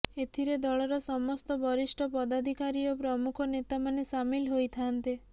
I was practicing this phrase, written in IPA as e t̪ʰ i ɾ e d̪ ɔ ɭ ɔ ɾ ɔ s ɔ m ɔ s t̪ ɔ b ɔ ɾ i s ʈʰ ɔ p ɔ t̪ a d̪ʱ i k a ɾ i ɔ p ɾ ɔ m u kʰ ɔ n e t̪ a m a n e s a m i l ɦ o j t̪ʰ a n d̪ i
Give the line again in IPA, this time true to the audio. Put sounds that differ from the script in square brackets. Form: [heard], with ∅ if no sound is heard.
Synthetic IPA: e t̪ʰ i ɾ e d̪ ɔ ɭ ɔ ɾ ɔ s ɔ m ɔ s t̪ ɔ b ɔ ɾ i s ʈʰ ɔ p ɔ [d̪] a d̪ʱ i k a ɾ i ɔ p ɾ ɔ m u kʰ ɔ n e t̪ a m a n e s a m i l ɦ o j t̪ʰ a n [t̪] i